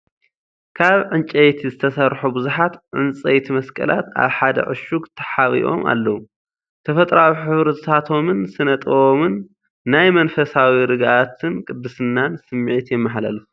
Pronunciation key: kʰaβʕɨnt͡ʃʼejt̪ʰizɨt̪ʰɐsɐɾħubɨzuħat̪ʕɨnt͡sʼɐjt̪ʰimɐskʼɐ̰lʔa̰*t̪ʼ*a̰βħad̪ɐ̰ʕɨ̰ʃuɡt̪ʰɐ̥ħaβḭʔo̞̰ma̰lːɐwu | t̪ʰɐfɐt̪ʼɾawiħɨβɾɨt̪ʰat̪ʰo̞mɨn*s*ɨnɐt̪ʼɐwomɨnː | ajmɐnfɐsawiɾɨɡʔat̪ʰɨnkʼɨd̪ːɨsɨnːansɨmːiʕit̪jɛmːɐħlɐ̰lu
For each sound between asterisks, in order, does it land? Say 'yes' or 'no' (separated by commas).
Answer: no, yes